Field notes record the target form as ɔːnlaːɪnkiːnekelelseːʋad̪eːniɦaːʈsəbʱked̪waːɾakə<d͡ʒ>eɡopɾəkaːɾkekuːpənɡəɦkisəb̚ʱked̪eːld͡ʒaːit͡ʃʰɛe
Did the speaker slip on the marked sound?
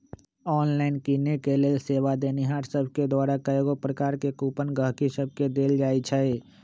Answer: yes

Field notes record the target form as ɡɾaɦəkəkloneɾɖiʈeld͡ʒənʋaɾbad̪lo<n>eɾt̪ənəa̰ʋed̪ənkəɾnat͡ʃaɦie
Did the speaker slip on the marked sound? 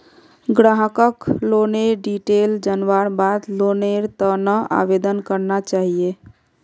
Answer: no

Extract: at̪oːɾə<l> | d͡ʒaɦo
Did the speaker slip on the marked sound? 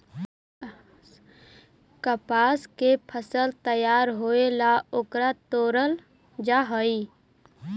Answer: no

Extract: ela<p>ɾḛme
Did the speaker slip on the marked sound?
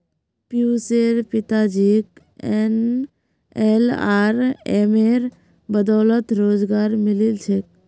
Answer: yes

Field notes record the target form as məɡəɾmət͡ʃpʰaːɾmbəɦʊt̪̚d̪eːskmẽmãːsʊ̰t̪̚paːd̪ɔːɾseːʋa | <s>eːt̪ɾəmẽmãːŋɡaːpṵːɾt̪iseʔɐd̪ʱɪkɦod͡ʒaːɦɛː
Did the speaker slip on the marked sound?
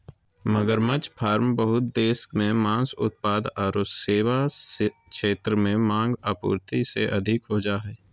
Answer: yes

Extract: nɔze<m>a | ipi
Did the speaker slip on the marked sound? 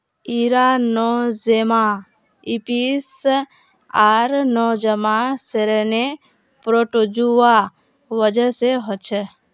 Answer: no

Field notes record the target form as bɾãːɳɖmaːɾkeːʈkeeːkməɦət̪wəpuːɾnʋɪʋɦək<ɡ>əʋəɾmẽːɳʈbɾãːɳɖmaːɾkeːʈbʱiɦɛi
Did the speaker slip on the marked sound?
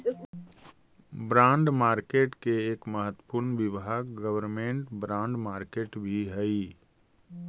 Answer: no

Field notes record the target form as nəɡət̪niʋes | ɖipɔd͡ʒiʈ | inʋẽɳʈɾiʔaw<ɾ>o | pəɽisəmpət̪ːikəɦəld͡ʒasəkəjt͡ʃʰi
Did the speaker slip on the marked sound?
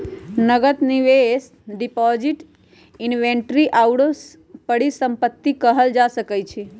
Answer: yes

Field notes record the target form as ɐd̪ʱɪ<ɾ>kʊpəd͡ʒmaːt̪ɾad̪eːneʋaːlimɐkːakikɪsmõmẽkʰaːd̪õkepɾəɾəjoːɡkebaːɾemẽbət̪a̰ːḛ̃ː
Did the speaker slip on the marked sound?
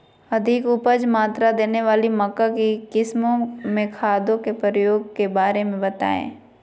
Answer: yes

